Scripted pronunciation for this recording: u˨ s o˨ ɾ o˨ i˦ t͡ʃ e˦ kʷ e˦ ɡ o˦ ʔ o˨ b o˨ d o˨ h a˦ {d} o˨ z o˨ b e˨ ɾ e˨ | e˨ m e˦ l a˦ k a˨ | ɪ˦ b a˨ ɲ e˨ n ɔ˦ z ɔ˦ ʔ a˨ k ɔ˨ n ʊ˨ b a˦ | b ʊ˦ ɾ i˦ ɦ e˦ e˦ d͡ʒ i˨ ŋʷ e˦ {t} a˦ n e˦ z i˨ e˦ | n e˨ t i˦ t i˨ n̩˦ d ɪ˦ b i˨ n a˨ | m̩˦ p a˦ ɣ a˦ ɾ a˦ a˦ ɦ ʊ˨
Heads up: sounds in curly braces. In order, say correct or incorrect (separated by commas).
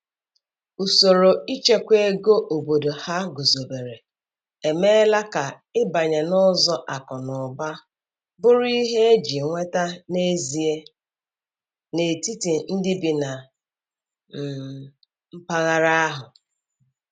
incorrect, correct